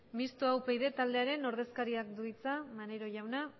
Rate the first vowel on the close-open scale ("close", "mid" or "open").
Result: close